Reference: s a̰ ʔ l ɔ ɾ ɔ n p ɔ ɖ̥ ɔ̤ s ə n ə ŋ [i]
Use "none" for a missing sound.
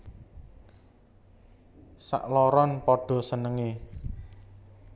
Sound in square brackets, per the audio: e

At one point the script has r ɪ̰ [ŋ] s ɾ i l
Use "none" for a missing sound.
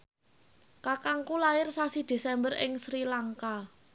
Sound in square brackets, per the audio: ŋ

